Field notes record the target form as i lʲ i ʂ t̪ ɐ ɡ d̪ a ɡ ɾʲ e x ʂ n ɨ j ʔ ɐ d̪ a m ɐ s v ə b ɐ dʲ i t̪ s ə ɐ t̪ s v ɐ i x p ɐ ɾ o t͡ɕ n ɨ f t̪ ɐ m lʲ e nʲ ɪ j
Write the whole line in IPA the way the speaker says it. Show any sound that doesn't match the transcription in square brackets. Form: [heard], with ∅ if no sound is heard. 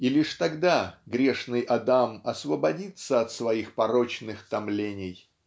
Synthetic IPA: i lʲ i ʂ t̪ ɐ ɡ d̪ a ɡ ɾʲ e [∅] ʂ n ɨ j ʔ ɐ d̪ a m ɐ s v ə b ɐ dʲ i t̪ s ə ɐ t̪ s v ɐ i x p ɐ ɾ o t͡ɕ n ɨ [x] t̪ ɐ m lʲ e nʲ ɪ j